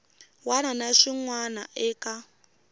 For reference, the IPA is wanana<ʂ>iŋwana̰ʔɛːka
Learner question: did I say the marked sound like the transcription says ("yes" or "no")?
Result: yes